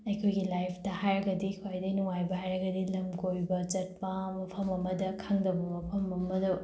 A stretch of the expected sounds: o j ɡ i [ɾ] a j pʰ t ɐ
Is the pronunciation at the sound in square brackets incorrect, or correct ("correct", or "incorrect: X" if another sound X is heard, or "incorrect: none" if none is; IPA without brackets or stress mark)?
incorrect: l